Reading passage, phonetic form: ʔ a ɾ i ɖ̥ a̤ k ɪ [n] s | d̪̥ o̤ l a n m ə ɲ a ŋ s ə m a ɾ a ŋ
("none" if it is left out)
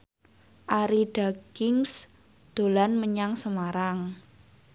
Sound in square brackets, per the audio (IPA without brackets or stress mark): ŋ